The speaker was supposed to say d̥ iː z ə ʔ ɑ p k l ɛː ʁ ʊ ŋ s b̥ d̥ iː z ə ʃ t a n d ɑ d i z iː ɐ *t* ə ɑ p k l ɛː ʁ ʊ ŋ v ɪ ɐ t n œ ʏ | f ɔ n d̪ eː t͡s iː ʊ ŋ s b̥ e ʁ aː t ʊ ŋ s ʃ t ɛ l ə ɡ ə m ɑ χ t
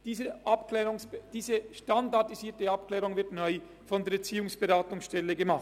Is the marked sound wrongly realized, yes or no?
no